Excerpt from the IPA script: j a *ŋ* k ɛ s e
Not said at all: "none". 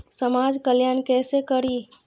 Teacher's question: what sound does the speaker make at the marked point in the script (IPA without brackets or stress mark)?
n